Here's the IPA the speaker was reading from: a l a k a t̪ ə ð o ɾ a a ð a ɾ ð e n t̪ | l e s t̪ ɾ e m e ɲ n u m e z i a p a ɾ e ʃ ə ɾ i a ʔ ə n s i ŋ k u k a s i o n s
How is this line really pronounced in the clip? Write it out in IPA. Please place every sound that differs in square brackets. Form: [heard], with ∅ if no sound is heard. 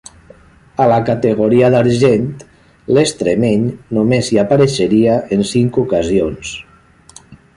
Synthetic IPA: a l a k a t̪ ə [ɣ] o ɾ [i] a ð a ɾ [ʒ] e n t̪ | l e s t̪ ɾ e m e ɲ n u m e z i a p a ɾ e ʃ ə ɾ i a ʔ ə n s i ŋ k u k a [z] i o n s